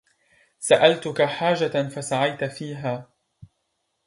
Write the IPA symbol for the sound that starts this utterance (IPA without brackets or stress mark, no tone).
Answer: s